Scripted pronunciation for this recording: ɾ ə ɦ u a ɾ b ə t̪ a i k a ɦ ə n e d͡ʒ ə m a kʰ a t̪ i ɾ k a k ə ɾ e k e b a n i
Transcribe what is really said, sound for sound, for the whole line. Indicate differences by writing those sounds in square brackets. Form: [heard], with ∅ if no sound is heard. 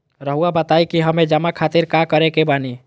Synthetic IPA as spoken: ɾ ə ɦ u a [∅] b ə t̪ a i k [i] ɦ ə [m] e d͡ʒ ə m a kʰ a t̪ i ɾ k a k ə ɾ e k e b a n i